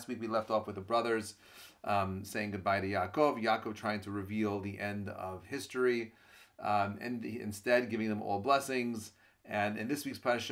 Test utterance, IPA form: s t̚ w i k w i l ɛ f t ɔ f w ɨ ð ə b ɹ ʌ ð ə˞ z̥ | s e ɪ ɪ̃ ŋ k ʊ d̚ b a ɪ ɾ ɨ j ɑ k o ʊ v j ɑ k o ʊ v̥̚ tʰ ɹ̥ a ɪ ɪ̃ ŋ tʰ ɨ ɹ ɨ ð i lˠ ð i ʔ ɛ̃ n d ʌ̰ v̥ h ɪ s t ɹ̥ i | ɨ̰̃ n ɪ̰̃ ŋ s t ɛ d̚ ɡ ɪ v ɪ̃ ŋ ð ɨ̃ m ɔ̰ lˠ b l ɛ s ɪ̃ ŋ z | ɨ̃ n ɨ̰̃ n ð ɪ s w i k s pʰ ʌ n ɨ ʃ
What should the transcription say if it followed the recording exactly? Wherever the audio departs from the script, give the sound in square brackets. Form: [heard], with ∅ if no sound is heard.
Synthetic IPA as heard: s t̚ w i k w i l ɛ f t ɔ f w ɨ ð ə b ɹ ʌ ð ə˞ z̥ | s e ɪ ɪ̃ ŋ [ɡ] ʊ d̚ b a ɪ ɾ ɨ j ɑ k o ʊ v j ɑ k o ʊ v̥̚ tʰ ɹ̥ a ɪ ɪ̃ ŋ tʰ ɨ ɹ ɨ [v] i lˠ ð i ʔ ɛ̃ n d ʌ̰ v̥ h ɪ s t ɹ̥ i | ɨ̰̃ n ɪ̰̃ [n] s t ɛ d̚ ɡ ɪ v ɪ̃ ŋ ð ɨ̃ m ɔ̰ lˠ b l ɛ s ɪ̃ ŋ z | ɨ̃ n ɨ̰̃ n ð ɪ s w i k s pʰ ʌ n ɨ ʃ